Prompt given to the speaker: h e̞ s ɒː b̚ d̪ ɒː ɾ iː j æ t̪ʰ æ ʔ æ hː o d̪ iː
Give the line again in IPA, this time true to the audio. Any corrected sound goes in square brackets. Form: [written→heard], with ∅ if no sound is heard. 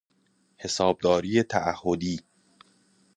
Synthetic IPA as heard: h e̞ s ɒː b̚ d̪ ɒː ɾ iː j [æ→e] t̪ʰ æ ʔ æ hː o d̪ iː